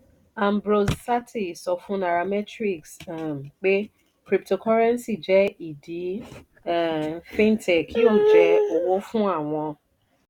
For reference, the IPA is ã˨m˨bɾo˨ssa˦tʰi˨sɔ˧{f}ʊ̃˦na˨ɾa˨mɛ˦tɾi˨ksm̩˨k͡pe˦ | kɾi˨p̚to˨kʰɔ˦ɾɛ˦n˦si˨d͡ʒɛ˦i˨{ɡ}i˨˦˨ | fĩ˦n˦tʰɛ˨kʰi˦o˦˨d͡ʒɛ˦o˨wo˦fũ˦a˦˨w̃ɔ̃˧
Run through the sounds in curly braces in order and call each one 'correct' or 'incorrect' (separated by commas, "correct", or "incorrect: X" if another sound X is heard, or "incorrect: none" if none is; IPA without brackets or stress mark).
correct, incorrect: d